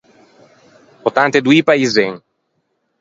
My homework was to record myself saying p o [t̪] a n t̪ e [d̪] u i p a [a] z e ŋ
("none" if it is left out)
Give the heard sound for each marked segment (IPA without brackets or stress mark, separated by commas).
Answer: t̪, d̪, i